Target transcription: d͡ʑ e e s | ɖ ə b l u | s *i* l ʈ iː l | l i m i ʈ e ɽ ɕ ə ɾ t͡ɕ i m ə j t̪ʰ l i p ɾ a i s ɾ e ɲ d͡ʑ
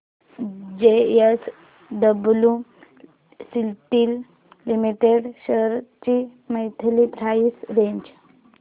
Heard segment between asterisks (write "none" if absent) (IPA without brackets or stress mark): i